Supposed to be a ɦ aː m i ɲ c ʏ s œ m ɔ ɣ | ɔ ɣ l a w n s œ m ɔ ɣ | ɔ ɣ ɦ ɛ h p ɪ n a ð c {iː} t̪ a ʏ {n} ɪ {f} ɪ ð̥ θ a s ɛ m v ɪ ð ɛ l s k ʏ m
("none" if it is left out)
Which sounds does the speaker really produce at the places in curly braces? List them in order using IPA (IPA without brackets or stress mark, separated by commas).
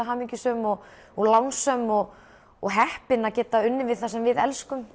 ɛː, nː, v